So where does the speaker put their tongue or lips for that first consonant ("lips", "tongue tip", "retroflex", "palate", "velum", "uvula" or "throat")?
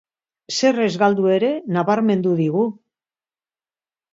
tongue tip